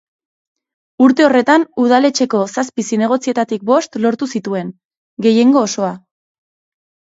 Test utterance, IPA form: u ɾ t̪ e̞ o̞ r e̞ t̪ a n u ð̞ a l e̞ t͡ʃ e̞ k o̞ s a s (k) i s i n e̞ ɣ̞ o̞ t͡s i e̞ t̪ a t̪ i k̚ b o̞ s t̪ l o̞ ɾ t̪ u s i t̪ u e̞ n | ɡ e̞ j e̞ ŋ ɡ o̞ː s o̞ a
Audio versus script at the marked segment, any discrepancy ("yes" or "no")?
yes